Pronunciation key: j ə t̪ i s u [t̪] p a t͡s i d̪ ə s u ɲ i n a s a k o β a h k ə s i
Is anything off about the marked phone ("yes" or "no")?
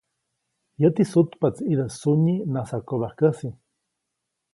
no